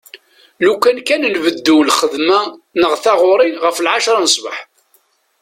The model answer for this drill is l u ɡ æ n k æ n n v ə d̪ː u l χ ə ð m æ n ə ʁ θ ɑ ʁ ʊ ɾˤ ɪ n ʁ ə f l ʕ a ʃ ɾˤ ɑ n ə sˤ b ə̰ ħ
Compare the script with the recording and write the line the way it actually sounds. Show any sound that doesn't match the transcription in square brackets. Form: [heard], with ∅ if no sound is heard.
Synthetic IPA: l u [k] æ n k æ n n v ə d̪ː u l χ ə ð m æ n ə ʁ θ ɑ ʁ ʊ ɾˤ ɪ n ʁ ə f l ʕ a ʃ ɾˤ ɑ n ə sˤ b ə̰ ħ